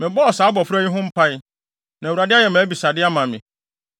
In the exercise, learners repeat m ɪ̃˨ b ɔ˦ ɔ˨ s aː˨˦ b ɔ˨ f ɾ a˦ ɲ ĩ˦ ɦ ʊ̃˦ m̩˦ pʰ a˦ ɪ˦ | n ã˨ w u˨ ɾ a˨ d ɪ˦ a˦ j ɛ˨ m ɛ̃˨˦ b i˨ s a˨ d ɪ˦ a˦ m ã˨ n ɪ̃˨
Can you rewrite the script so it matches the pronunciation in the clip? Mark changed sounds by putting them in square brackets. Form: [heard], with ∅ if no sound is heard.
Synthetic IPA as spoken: m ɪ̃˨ b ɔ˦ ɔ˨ s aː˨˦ b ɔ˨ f ɾ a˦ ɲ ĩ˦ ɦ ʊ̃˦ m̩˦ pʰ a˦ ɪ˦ | n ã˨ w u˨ ɾ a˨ d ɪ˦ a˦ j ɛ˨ m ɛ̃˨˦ b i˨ s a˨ d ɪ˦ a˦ m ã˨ [m] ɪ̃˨